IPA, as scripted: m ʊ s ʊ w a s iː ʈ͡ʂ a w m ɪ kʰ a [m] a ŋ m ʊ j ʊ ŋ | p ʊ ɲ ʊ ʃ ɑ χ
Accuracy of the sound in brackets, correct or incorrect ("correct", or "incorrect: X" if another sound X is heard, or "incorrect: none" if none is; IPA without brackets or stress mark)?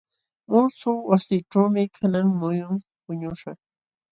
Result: incorrect: n